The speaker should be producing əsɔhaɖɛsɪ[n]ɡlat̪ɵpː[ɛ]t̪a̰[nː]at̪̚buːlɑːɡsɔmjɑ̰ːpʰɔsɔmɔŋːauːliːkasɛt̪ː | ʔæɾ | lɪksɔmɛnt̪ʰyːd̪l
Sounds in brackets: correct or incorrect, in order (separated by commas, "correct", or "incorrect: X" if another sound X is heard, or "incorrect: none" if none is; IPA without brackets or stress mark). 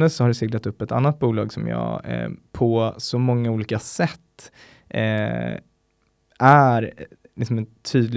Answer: incorrect: none, correct, correct